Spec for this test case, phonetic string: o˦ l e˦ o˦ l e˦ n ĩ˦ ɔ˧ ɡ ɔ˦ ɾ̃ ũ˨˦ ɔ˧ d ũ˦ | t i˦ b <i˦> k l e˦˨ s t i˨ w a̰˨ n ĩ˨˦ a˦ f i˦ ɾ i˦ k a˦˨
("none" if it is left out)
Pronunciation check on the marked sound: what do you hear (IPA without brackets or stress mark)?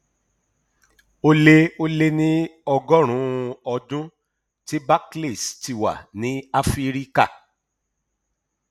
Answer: a˦